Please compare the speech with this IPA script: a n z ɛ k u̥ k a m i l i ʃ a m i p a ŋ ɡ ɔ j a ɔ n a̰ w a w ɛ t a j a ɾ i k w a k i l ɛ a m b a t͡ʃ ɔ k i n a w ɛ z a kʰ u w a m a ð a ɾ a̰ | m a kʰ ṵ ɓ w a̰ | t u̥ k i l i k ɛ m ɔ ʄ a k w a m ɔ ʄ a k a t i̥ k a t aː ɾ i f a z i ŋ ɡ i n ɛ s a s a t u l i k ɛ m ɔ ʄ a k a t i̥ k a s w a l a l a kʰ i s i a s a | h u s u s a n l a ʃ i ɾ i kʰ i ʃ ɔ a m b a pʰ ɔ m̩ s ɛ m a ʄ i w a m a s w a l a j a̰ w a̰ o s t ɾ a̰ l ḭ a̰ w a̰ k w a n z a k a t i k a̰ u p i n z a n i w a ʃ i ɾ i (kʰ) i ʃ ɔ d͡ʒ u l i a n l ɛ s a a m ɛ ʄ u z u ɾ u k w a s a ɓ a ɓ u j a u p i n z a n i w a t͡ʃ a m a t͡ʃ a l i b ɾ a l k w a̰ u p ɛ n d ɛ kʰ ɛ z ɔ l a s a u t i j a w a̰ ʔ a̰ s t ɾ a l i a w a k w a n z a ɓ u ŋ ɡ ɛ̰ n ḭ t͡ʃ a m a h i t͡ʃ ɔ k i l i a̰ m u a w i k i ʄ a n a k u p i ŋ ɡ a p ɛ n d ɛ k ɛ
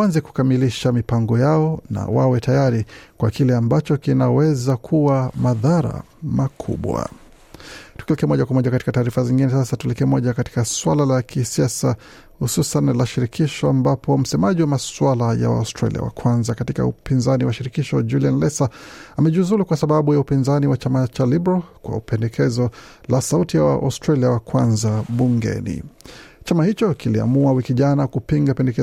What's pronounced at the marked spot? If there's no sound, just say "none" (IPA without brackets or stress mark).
k